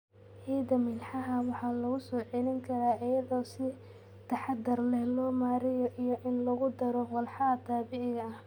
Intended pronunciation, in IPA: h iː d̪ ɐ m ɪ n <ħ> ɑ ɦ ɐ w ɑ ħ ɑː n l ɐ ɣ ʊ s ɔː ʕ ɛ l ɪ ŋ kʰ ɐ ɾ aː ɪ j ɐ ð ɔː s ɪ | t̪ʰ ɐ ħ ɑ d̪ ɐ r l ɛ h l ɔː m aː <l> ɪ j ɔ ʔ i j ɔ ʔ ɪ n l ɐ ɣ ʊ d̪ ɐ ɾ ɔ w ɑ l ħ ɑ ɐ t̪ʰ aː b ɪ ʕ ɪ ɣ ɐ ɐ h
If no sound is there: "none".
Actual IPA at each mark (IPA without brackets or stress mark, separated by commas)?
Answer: ħ, ɾ